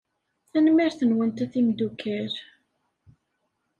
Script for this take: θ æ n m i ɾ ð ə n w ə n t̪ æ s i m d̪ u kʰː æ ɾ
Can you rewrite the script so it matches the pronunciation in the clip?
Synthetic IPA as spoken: θ æ n m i ɾ θ ə n w ə n t̪ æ θ i m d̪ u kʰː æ ɾ